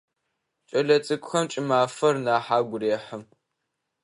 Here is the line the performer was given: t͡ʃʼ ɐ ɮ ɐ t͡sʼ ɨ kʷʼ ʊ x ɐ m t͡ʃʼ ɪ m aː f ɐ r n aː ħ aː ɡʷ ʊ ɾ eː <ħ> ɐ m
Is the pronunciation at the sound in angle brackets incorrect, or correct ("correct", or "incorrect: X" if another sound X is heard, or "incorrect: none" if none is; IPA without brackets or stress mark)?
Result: correct